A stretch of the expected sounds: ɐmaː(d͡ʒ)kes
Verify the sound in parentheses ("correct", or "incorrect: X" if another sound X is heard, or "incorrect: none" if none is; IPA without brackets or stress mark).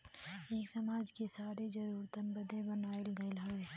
correct